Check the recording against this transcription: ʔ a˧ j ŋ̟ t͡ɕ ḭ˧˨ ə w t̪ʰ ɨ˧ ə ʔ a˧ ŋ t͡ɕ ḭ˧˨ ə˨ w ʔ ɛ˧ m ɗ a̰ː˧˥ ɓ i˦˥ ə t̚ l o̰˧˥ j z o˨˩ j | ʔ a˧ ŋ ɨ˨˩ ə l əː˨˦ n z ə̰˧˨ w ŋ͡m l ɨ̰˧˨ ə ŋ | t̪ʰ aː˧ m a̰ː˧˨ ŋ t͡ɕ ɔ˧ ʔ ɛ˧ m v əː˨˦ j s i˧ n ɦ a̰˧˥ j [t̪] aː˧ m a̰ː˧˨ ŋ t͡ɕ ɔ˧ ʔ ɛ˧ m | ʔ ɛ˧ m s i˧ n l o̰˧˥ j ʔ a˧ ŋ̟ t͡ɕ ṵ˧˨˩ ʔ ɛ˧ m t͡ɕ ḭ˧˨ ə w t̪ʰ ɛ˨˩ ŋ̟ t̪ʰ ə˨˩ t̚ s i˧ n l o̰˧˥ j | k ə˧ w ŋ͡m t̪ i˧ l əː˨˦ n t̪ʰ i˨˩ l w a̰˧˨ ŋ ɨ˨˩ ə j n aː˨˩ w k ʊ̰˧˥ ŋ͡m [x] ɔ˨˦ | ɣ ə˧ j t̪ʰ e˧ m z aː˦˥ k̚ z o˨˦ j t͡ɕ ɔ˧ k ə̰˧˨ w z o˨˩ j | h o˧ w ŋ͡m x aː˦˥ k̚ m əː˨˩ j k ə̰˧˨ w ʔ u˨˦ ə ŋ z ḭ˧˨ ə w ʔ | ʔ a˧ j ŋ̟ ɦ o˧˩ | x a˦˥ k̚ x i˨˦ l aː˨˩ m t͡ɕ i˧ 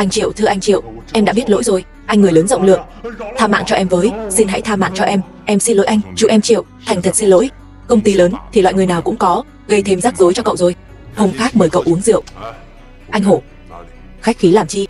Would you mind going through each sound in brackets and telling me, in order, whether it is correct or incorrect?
incorrect: t̪ʰ, incorrect: k

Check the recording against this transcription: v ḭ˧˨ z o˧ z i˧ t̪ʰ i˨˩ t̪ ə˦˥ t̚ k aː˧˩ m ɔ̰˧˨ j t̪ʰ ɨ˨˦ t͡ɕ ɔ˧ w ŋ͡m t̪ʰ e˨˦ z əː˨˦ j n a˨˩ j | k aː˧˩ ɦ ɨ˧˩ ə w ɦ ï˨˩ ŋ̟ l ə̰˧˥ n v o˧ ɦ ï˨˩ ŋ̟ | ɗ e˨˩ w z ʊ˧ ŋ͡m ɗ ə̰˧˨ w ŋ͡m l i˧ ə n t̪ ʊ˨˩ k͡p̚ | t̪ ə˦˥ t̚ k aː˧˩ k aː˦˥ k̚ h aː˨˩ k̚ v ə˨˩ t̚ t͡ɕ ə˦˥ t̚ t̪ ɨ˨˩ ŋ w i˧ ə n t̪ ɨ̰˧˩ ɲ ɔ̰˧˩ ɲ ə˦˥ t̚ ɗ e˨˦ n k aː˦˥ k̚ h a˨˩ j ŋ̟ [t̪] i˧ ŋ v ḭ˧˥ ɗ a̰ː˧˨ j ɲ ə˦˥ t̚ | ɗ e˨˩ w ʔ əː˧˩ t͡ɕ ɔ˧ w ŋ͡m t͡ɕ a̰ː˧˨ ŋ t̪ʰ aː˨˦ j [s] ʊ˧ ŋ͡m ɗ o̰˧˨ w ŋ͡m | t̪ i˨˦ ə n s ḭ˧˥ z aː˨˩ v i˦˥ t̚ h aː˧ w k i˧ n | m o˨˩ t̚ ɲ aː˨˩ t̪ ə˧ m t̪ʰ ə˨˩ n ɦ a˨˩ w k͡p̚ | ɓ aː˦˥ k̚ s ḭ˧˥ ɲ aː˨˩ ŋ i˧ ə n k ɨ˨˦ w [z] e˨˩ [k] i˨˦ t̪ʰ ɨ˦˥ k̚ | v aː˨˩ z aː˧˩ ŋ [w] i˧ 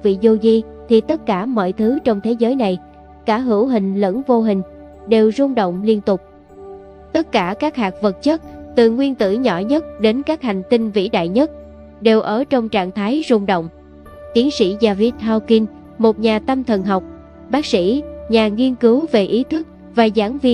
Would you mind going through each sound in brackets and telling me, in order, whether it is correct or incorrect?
correct, incorrect: z, incorrect: v, incorrect: ʔ, incorrect: v

